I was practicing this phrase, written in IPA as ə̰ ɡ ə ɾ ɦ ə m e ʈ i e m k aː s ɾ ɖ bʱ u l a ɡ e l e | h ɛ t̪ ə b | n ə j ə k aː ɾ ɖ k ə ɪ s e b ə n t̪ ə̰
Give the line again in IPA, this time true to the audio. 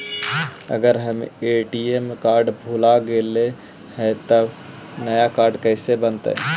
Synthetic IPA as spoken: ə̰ ɡ ə ɾ ɦ ə m e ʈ i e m k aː ɾ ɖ bʱ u l a ɡ e l e | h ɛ t̪ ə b | n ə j a k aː ɾ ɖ k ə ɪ s e b ə n t̪ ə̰